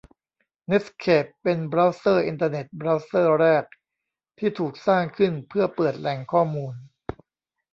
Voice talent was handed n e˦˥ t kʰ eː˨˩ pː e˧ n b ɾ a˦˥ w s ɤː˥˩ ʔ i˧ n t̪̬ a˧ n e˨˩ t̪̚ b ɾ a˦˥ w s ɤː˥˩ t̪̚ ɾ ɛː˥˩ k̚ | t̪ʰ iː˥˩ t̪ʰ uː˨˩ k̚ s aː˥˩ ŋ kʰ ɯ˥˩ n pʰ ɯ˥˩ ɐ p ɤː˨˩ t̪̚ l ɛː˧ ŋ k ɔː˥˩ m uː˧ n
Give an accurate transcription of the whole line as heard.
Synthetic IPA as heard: n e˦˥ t kʰ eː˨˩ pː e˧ n b ɾ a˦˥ w s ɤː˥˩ ʔ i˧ n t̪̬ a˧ n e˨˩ t̪̚ b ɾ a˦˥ w s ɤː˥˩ ɾ ɛː˥˩ k̚ | t̪ʰ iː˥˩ t̪ʰ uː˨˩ k̚ s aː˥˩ ŋ kʰ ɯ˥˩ n pʰ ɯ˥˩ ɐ p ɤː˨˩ t̪̚ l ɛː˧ ŋ kʰ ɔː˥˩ m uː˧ n